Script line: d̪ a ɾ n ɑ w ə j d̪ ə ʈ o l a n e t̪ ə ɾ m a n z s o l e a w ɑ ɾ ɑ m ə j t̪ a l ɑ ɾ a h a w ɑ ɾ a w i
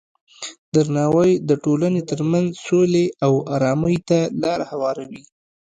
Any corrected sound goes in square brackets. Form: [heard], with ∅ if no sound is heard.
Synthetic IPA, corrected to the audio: d̪ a ɾ n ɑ w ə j d̪ ə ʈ o l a n e t̪ ə ɾ m a n z s o l e a w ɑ ɾ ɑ m ə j t̪ a l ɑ ɾ a h a w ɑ ɾ a w i